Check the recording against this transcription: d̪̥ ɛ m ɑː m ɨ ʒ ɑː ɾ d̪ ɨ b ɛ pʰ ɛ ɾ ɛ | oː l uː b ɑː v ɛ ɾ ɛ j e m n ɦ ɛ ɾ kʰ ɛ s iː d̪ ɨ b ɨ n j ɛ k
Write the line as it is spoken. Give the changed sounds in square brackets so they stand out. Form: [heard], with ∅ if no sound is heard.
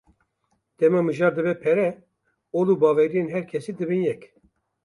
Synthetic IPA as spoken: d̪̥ ɛ m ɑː m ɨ ʒ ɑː ɾ d̪ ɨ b ɛ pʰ ɛ ɾ ɛ | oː l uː b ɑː v ɛ ɾ [i] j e [∅] n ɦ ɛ ɾ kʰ ɛ s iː d̪ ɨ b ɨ n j ɛ k